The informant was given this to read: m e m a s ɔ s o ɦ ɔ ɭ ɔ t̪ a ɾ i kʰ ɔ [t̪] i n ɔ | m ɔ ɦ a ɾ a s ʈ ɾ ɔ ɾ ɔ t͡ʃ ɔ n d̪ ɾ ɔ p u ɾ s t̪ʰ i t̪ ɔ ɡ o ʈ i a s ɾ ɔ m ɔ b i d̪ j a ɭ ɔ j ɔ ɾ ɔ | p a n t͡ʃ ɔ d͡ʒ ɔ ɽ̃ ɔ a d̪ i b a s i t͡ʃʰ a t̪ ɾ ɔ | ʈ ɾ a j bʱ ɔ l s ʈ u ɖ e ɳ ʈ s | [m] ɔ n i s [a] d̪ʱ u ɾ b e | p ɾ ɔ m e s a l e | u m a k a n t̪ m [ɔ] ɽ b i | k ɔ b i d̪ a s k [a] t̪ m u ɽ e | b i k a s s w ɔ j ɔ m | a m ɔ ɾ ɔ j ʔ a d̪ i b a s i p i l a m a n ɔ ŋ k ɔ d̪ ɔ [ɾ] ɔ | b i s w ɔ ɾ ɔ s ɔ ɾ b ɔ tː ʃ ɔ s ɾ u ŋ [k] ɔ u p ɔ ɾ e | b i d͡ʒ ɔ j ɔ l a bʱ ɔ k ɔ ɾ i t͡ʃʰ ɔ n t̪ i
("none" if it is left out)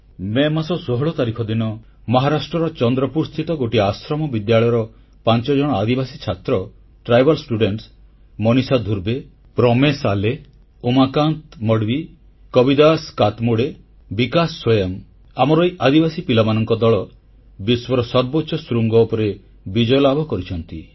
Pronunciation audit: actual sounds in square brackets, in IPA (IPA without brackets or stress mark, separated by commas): d̪, m, a, ɔ, a, ɭ, ɡ